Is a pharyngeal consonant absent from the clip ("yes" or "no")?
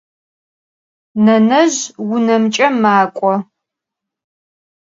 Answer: yes